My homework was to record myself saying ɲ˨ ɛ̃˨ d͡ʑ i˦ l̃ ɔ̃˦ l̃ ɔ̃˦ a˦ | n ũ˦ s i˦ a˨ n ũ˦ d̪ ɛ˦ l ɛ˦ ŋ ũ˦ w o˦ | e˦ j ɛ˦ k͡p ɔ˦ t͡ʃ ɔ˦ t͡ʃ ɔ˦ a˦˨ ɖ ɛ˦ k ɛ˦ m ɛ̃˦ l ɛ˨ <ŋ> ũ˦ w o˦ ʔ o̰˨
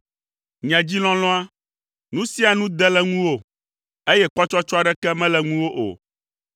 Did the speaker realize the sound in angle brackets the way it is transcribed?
yes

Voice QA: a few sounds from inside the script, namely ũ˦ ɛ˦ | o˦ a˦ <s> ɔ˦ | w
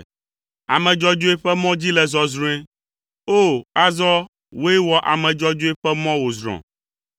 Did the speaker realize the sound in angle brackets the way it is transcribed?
no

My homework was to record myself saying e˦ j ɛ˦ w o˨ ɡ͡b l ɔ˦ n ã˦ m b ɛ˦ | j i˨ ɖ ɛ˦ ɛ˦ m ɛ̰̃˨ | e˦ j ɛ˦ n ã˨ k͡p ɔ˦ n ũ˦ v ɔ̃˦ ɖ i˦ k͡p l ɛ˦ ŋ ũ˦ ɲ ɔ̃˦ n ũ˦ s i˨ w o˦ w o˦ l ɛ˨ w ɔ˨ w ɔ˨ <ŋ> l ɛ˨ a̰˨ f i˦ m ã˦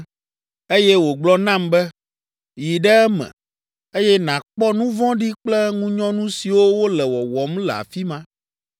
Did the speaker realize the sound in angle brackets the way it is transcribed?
no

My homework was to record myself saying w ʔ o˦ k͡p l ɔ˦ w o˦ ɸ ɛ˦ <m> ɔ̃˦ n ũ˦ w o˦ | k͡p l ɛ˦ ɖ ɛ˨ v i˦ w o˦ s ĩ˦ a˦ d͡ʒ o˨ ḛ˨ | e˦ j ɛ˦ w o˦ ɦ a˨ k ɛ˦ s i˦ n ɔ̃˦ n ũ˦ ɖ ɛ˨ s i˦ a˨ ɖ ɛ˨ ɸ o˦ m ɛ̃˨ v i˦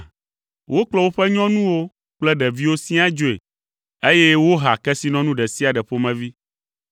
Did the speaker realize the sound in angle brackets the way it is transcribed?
no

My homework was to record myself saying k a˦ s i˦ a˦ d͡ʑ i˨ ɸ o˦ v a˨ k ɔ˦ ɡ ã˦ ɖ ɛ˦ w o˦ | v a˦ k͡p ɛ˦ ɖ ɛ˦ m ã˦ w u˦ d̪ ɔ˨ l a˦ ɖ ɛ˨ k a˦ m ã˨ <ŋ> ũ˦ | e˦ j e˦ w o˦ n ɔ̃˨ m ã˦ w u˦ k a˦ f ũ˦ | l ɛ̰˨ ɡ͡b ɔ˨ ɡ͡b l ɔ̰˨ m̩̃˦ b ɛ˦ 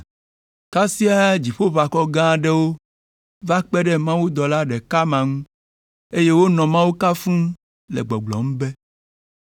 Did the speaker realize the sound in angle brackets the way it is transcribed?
yes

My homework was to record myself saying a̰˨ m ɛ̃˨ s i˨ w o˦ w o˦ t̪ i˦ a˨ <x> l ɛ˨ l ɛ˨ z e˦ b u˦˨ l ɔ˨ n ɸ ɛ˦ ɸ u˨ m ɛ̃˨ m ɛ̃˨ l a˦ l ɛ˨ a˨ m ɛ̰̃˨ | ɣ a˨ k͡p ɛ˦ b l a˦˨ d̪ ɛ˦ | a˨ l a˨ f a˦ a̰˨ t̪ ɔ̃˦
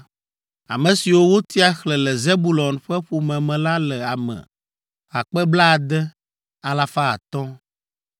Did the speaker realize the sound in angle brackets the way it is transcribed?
yes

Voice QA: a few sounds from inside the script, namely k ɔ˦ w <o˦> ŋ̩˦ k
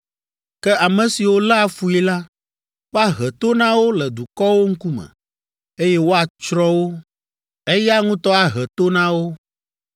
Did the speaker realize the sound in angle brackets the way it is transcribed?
yes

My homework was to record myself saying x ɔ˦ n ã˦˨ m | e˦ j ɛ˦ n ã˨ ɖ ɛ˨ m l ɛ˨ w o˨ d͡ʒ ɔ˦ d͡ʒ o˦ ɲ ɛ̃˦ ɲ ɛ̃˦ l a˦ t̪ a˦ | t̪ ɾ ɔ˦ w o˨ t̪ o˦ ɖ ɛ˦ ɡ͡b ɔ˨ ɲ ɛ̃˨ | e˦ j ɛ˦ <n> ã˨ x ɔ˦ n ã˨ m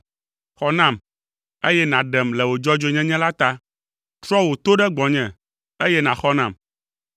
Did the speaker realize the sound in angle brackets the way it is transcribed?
yes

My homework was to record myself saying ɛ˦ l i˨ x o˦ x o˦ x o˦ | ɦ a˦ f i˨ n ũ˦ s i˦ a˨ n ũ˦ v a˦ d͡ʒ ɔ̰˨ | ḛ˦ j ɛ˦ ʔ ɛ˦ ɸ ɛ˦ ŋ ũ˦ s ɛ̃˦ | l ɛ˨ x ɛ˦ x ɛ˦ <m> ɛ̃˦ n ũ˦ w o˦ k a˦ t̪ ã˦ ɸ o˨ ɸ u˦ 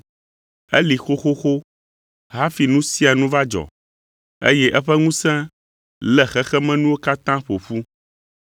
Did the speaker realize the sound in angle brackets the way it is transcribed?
yes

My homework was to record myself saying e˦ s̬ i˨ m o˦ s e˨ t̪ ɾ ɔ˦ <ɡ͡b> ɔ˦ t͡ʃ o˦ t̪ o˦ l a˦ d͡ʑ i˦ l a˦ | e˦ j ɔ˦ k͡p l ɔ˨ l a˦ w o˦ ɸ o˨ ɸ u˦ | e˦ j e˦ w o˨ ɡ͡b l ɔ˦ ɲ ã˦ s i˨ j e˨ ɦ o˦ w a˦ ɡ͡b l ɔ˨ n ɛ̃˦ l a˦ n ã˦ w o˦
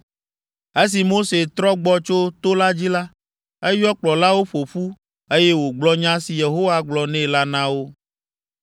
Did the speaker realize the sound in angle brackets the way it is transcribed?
yes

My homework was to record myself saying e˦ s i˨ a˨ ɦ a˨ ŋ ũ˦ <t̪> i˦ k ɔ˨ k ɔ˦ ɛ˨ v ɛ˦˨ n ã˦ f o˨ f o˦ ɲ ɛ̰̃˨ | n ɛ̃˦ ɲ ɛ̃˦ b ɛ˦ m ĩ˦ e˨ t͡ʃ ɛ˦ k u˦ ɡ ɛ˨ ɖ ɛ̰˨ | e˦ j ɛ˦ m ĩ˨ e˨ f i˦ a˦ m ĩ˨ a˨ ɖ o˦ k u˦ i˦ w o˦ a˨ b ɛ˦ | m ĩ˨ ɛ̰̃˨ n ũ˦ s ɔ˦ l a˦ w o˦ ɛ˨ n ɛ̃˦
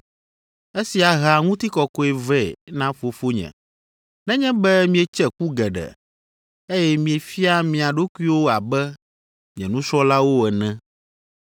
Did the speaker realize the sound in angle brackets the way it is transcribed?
yes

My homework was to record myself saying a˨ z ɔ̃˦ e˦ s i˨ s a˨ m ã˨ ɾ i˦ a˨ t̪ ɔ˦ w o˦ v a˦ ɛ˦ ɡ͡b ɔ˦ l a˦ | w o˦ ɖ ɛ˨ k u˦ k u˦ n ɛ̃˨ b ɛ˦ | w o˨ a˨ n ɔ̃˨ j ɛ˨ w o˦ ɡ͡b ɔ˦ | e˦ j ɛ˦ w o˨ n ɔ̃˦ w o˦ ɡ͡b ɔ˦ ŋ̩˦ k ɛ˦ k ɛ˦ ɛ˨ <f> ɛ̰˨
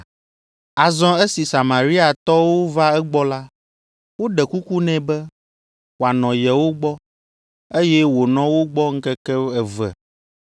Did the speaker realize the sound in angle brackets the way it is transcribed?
no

